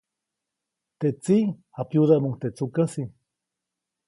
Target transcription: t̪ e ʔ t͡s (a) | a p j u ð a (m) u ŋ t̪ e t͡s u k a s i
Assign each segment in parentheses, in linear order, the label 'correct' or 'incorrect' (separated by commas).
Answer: incorrect, correct